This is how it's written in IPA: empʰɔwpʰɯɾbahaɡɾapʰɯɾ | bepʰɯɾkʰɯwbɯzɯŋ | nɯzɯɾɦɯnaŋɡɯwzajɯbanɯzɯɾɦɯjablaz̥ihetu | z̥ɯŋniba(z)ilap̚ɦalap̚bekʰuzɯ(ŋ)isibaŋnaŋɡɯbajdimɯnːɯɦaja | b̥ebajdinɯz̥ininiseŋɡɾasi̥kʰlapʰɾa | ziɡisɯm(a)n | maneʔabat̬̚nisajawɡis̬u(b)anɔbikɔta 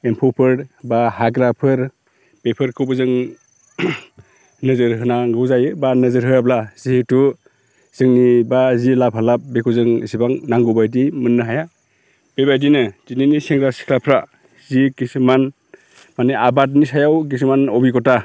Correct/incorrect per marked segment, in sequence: correct, correct, correct, incorrect

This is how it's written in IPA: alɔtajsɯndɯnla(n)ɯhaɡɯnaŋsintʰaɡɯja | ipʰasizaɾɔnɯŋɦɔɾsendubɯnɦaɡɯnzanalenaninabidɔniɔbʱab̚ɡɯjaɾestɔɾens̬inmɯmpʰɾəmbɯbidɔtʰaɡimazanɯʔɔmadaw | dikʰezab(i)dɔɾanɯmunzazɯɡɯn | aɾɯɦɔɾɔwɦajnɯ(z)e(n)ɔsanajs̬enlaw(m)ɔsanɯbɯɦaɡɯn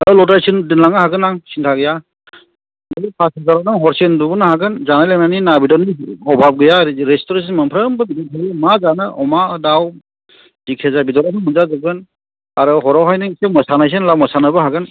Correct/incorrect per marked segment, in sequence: incorrect, correct, incorrect, incorrect, correct

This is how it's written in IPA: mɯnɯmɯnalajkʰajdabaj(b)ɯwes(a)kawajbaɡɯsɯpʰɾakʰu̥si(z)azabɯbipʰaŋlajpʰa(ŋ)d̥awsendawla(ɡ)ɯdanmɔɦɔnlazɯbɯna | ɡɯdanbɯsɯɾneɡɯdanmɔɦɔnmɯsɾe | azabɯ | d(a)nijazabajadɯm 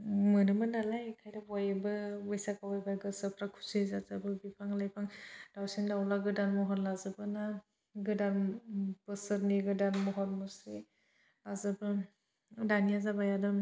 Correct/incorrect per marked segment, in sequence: correct, correct, correct, correct, correct, correct

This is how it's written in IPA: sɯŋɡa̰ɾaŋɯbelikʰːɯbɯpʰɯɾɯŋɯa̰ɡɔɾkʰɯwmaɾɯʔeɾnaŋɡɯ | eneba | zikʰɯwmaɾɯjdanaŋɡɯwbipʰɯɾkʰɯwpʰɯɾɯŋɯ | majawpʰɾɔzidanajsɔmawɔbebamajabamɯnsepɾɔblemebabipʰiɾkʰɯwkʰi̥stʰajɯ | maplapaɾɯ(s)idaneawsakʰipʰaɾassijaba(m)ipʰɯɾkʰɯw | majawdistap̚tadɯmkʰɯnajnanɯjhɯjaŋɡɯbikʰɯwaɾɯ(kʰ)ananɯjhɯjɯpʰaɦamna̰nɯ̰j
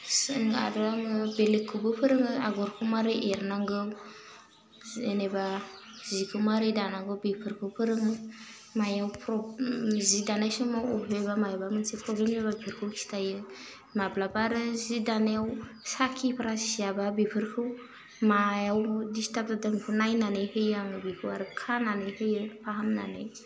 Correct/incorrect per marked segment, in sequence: incorrect, incorrect, correct

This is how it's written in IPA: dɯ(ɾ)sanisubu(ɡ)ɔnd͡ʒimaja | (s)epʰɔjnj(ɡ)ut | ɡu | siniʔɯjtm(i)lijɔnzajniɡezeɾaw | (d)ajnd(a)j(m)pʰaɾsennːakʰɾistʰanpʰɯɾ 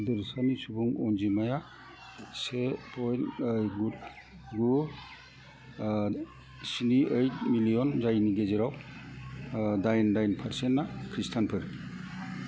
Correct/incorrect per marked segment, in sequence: correct, incorrect, correct, correct, correct, correct, correct, incorrect

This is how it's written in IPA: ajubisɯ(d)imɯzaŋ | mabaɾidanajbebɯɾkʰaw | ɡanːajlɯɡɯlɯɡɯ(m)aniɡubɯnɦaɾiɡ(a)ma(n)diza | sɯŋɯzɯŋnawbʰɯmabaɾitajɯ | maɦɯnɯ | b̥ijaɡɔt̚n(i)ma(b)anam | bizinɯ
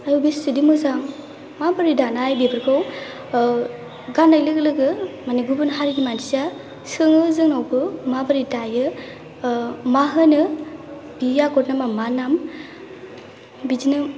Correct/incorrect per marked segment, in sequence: correct, correct, incorrect, correct, incorrect, incorrect

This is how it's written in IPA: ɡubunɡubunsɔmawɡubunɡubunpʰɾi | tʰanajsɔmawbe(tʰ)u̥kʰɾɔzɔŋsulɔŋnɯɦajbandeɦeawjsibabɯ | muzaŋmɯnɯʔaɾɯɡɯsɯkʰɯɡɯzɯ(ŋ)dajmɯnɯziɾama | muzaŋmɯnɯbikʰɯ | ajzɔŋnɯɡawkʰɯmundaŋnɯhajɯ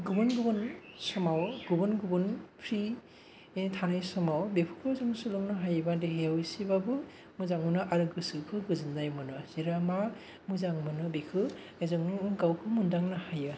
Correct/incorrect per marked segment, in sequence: incorrect, incorrect

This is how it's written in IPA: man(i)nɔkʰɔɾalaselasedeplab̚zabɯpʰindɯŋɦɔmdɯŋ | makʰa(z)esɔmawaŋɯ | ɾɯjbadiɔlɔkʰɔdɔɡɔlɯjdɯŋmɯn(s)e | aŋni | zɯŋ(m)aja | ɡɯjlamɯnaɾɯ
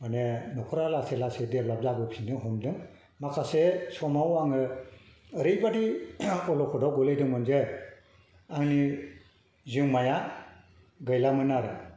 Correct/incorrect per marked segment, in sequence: incorrect, incorrect, incorrect, correct

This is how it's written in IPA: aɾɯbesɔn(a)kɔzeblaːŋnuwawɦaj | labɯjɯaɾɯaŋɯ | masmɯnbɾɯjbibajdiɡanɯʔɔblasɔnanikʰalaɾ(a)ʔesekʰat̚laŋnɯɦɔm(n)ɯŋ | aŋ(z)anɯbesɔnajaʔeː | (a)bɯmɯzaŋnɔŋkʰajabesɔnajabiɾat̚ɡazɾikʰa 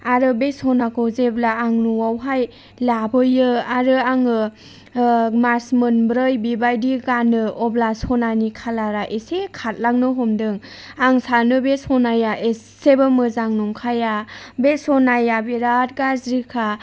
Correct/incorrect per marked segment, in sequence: correct, correct, incorrect, incorrect, incorrect

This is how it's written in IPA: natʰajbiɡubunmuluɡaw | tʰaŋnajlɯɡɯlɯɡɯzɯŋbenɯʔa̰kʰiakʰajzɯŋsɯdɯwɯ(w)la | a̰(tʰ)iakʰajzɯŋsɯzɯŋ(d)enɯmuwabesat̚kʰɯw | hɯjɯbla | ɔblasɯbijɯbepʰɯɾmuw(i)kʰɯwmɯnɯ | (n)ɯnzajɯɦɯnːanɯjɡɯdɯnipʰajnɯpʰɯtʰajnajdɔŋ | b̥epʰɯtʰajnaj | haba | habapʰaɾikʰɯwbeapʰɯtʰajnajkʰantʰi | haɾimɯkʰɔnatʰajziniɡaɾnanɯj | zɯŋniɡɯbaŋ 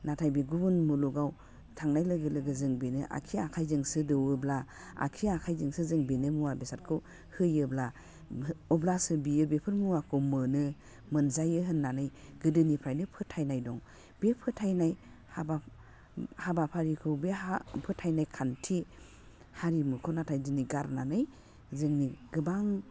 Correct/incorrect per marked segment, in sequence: incorrect, incorrect, incorrect, incorrect, incorrect

